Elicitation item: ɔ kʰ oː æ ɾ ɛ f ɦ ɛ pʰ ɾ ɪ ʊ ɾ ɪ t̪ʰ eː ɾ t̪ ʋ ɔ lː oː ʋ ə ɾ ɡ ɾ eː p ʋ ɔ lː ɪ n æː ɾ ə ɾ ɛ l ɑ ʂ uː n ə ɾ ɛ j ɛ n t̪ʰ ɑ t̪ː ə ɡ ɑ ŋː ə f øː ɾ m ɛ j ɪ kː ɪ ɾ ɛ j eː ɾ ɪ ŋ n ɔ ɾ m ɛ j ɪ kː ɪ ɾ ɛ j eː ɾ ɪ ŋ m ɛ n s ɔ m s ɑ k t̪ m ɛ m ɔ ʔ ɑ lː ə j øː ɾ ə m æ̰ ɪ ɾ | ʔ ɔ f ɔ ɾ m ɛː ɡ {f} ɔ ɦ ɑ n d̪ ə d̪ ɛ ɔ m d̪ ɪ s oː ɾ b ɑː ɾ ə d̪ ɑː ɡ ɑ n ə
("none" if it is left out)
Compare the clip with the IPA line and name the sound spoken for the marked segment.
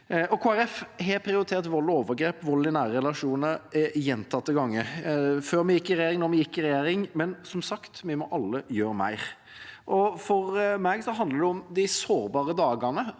s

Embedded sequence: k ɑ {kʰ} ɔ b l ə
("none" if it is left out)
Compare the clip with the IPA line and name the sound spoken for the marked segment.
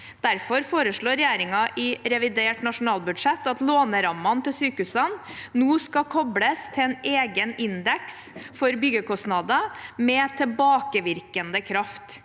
kʰ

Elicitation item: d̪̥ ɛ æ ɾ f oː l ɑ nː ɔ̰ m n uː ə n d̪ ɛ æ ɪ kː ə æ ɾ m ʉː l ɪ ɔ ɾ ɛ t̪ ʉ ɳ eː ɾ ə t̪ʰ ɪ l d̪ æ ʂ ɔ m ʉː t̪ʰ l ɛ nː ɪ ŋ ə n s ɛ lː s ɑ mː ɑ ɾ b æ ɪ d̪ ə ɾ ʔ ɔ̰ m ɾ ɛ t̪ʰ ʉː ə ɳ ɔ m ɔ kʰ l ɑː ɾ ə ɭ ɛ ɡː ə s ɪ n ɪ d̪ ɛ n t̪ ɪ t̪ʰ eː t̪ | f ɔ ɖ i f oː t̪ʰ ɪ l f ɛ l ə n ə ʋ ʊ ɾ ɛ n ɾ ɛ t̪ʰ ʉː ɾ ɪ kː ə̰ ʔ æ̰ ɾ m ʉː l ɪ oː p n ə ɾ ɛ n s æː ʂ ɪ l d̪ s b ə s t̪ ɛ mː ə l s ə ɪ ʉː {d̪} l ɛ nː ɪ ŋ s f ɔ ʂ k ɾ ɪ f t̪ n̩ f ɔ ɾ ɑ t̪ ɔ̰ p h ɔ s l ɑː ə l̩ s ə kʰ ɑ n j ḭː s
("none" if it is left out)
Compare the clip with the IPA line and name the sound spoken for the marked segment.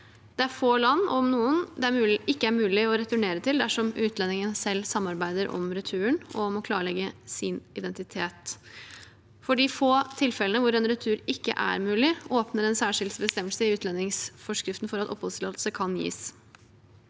t̪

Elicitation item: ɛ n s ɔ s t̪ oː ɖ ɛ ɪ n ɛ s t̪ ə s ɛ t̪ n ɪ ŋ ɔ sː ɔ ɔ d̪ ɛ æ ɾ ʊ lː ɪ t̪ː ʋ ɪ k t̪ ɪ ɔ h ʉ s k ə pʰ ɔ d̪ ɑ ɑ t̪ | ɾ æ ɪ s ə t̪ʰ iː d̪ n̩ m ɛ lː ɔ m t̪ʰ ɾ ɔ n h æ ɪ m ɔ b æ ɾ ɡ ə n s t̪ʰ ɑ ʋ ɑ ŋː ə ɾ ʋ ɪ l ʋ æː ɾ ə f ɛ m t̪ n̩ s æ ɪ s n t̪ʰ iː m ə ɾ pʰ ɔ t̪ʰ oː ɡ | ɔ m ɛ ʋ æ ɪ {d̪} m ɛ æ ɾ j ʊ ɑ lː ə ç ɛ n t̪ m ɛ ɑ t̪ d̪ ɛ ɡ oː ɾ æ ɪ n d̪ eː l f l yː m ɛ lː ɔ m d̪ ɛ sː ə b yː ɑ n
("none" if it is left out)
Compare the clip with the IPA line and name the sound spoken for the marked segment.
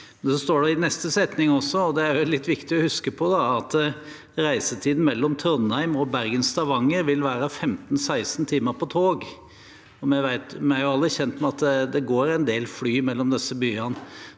t̪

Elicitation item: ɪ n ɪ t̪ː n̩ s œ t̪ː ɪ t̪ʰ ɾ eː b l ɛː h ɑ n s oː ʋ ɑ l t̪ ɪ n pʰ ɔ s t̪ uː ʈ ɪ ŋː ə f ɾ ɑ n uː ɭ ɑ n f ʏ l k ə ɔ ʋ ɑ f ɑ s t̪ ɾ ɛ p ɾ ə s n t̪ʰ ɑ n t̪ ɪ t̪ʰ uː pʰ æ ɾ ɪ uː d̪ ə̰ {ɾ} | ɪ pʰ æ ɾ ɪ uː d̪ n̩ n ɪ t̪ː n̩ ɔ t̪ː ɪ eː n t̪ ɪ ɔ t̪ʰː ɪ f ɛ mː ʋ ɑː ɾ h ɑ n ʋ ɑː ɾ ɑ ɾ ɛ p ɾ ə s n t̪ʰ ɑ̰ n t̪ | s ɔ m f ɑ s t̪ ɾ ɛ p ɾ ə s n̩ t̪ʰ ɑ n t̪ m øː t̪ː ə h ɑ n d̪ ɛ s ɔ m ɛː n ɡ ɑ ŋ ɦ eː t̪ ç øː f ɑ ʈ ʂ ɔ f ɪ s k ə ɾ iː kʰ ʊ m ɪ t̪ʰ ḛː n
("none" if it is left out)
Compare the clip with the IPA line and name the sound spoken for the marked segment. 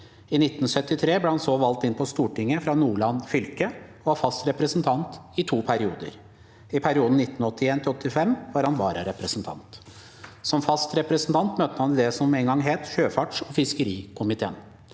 ɾ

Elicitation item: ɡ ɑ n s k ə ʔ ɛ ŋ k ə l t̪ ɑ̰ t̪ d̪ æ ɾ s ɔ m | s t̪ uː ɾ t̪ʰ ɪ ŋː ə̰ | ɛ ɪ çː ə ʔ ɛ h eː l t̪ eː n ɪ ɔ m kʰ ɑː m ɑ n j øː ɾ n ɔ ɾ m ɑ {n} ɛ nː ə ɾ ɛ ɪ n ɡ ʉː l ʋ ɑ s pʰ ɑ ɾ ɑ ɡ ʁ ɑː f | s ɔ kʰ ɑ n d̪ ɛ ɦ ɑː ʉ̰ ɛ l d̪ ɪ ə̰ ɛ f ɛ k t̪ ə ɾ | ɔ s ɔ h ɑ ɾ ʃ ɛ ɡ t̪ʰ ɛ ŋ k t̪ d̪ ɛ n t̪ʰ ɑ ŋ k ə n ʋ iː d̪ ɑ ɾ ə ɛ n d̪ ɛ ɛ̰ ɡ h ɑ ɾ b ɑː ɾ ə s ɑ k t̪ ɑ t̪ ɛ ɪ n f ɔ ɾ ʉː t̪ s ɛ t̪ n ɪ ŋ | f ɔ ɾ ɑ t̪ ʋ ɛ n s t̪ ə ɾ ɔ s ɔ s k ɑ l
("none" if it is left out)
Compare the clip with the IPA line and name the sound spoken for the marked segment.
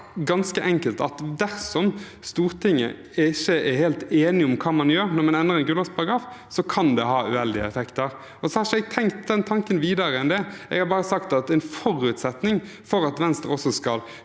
n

